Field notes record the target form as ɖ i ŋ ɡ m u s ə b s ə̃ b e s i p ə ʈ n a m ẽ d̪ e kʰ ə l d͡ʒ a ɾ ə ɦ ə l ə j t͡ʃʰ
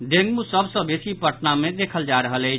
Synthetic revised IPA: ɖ e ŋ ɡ m u s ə b s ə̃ b e s i p ə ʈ n a m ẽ d̪ e kʰ ə l d͡ʒ a ɾ ə ɦ ə l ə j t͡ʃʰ